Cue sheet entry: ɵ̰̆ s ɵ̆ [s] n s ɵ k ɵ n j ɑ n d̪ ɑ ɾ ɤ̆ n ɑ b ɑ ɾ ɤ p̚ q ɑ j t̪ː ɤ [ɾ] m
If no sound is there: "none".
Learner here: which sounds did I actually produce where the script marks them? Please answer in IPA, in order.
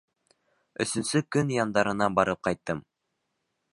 none, none

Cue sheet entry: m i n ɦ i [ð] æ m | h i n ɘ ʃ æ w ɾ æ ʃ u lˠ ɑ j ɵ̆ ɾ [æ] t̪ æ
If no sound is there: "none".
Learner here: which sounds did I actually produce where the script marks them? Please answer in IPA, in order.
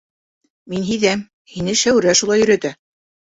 ð, æ

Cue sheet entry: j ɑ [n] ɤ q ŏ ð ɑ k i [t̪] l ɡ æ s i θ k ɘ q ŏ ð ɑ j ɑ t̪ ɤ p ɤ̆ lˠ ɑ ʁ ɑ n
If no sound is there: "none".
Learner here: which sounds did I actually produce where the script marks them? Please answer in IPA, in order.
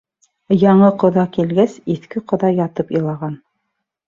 ɴ, none

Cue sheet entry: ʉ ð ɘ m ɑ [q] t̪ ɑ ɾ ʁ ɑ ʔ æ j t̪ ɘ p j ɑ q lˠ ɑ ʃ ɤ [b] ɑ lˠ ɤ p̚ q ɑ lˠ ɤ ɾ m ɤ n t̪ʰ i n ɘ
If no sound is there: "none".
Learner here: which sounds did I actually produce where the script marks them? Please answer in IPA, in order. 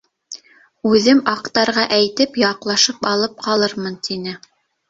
q, p

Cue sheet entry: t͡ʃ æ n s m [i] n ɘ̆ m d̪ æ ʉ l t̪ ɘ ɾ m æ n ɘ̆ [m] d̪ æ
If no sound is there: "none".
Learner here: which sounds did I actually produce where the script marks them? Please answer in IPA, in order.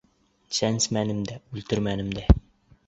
æ, m

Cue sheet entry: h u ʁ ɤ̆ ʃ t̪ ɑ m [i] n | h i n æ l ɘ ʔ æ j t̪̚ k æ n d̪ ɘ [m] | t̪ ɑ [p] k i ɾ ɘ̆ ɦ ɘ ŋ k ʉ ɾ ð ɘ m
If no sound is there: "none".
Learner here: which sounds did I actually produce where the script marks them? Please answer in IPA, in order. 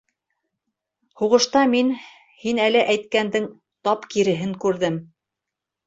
i, ŋ, p

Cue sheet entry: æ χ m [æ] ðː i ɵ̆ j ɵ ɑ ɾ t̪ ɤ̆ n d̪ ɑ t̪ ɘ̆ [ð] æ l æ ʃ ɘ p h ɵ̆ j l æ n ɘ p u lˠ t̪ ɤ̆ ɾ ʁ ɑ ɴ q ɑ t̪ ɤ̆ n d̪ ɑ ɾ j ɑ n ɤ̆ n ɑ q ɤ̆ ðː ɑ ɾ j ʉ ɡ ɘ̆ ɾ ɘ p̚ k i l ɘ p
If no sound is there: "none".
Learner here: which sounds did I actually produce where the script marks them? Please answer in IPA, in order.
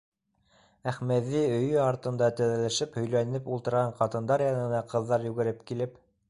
æ, ð

